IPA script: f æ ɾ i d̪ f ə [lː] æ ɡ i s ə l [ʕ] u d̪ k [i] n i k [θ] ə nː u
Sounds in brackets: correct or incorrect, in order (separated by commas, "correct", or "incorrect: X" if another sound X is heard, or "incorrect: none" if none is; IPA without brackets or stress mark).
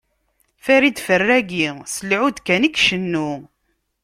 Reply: incorrect: rː, correct, incorrect: æ, incorrect: ʃ